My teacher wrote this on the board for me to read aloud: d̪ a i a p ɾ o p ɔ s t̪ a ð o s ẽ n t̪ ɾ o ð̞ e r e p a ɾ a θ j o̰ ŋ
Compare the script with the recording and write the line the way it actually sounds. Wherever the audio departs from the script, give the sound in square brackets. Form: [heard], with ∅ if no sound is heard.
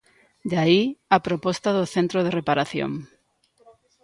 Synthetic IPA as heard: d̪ a i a p ɾ o p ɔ s t̪ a ð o [θ] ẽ n t̪ ɾ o ð̞ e r e p a ɾ a θ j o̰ ŋ